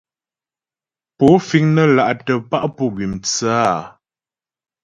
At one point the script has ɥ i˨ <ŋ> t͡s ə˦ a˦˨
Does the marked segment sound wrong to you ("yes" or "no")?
yes